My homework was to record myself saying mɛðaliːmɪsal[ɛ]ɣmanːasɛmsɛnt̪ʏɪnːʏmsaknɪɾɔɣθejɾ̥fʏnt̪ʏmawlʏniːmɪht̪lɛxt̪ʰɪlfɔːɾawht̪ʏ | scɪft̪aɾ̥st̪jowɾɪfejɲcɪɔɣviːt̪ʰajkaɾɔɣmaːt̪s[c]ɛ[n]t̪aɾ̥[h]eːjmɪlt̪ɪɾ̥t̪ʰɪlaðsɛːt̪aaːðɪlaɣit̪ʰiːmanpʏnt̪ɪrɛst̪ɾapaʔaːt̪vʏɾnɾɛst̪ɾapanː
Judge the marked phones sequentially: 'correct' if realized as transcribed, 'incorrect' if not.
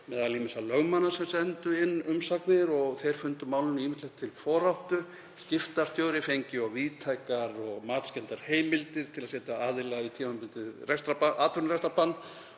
incorrect: œ, correct, correct, correct

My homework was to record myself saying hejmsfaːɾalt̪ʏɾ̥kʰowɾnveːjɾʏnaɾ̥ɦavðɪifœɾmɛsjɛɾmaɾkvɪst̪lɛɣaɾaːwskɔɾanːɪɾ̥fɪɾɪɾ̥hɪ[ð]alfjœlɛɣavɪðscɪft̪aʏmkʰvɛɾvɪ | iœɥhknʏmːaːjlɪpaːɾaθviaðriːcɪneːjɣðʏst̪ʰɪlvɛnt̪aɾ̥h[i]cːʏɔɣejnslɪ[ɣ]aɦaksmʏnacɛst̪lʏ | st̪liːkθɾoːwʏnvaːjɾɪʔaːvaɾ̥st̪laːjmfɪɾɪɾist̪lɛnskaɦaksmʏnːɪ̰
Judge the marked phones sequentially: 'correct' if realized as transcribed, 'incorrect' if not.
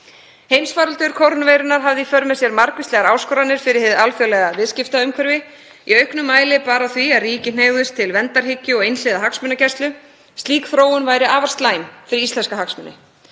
correct, incorrect: ɪ, incorrect: ð

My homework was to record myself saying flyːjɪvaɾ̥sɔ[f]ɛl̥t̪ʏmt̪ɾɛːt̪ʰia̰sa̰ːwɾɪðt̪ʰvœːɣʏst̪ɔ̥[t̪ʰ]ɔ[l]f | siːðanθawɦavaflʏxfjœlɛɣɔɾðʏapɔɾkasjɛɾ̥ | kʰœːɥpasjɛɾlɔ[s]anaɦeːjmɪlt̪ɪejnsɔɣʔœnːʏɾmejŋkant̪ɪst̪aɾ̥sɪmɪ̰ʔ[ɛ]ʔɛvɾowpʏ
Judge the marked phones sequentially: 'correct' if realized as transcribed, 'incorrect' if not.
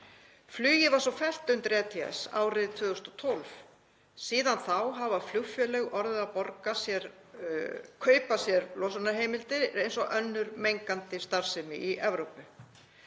correct, correct, correct, correct, incorrect: i

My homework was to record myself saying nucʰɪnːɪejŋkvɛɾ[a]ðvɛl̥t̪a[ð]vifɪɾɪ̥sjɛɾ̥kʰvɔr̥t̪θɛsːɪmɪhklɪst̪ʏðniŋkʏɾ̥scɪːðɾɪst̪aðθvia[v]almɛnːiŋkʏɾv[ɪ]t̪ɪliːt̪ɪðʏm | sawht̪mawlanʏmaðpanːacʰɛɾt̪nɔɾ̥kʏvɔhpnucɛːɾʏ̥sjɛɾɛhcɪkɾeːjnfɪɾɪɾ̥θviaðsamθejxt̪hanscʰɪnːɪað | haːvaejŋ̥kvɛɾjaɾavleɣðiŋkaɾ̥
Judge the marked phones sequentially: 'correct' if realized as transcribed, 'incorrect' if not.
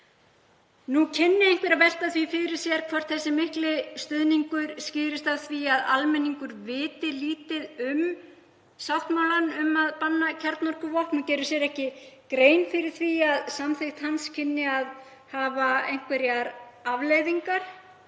correct, incorrect: θ, incorrect: ð, incorrect: ɪː

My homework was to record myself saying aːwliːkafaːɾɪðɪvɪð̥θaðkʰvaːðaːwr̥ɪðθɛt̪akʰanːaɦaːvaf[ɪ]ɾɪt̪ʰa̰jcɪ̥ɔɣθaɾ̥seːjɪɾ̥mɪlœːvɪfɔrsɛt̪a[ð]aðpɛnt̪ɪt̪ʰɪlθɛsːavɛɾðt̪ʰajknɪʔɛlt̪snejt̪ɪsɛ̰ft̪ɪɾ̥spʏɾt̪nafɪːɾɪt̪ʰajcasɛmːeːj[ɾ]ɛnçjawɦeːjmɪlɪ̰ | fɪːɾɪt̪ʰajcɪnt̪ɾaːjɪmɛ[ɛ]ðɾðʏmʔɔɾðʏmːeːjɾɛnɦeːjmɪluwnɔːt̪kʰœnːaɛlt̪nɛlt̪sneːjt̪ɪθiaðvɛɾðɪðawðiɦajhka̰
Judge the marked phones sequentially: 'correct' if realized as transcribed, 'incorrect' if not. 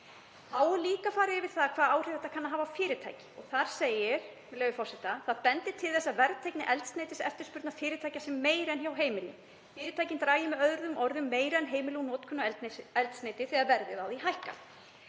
incorrect: ɪː, incorrect: θ, correct, incorrect: œ

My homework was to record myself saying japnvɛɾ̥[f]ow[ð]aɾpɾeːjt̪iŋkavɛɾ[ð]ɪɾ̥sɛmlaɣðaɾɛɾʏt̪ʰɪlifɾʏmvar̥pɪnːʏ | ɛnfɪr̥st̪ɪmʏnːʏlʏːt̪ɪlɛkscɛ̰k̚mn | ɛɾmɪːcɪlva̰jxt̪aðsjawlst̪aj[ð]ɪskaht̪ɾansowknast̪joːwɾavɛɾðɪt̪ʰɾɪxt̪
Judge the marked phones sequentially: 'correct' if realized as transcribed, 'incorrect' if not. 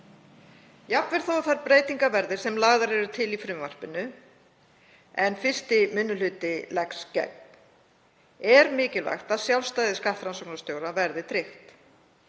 incorrect: θ, incorrect: θ, correct, correct

